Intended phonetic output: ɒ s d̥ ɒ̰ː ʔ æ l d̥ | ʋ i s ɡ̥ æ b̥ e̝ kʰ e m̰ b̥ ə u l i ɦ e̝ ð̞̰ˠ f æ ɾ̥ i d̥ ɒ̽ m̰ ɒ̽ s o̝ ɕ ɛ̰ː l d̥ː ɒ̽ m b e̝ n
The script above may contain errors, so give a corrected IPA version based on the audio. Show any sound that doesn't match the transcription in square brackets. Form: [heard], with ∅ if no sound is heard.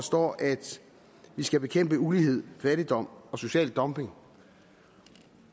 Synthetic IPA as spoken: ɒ s d̥ ɒ̰ː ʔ æ [∅] d̥ | ʋ i s ɡ̥ æ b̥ e̝ kʰ e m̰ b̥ ə u l i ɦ e̝ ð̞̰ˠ f æ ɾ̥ i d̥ ɒ̽ m̰ ɒ̽ s o̝ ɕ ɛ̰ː l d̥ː ɒ̽ m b e̝ [ŋ]